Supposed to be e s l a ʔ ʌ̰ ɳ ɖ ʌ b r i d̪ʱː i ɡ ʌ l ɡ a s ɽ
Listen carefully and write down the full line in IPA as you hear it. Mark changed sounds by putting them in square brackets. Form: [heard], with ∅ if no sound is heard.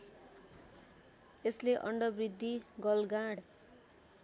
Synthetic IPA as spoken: e s l [e] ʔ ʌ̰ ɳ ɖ ʌ b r i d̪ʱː i ɡ ʌ l ɡ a [∅] ɽ